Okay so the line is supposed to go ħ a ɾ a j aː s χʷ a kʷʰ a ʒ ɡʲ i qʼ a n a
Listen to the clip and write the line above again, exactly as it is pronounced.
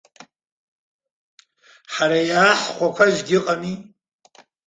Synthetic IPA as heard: ħ a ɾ a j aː ħ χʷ a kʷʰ a ʒ ɡʲ ɪ qʼ a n i